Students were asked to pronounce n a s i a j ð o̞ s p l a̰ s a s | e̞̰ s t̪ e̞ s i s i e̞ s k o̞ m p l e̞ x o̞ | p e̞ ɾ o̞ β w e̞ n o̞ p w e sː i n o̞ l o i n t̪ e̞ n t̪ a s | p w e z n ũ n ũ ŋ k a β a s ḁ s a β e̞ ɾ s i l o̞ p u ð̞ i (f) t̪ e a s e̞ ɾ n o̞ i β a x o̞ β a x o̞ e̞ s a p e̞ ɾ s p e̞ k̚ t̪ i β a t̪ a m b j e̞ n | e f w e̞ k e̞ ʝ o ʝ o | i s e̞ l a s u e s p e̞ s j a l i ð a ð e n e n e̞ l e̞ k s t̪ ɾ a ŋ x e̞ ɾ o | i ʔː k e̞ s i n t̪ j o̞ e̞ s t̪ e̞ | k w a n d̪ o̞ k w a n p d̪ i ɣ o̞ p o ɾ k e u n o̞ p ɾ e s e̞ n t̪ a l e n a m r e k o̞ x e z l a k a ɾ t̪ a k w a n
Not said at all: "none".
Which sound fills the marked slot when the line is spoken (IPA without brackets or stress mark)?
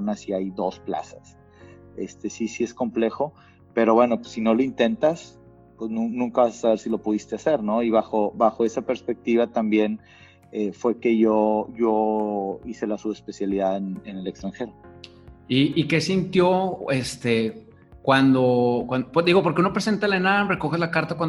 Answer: s